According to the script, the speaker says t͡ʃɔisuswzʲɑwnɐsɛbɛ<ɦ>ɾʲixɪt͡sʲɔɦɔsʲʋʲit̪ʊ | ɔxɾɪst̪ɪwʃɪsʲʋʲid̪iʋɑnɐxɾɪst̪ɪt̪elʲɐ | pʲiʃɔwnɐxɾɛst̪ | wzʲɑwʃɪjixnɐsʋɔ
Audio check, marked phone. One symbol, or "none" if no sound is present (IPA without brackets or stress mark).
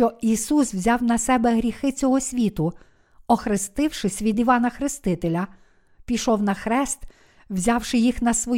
ɦ